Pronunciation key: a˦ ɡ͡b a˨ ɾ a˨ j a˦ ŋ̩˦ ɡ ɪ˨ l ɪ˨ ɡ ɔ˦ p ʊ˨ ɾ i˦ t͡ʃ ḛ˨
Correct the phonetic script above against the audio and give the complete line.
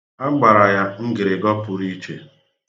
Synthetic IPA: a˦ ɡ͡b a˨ ɾ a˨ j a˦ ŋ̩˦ ɡ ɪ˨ ɾ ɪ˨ ɡ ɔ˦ p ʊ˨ ɾ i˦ t͡ʃ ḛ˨

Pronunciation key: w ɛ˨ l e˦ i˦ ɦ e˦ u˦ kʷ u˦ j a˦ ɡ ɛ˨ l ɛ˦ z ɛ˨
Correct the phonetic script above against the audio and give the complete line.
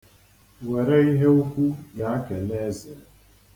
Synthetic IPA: w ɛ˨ ɾ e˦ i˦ ɦ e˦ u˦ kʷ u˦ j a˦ k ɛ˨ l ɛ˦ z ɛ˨

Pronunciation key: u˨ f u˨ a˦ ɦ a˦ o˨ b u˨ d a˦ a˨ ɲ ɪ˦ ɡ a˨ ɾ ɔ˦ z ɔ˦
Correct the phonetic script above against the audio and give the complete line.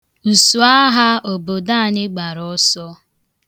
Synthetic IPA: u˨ s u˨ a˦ ɦ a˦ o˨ b o˨ d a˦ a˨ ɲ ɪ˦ ɡ͡b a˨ ɾ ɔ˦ s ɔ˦

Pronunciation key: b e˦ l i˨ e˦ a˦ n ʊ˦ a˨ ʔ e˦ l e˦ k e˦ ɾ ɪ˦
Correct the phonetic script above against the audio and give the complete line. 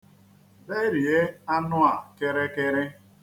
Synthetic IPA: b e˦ ɾ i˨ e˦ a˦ n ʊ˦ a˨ k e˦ ɾ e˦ k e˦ ɾ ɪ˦

